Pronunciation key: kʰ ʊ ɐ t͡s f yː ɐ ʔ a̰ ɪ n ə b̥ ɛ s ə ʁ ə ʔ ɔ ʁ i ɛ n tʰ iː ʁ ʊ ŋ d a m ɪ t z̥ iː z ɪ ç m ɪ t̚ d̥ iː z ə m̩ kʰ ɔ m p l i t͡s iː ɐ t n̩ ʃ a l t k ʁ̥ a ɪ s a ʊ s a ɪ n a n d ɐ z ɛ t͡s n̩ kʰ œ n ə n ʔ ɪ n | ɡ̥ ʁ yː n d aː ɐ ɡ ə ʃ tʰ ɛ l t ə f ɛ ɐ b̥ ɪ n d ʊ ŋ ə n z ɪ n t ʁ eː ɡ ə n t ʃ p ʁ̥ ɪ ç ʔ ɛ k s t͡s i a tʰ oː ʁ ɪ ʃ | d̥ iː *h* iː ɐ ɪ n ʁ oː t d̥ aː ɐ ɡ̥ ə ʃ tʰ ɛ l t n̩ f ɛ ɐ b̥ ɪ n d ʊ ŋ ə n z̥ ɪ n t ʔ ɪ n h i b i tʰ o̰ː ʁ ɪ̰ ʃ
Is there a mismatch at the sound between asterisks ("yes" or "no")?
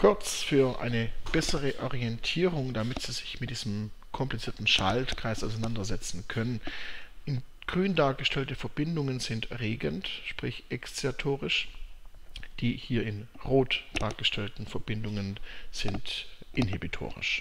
no